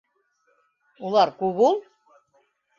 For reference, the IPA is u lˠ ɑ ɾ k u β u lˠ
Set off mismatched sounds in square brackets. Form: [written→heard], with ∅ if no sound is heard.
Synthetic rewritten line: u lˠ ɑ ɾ k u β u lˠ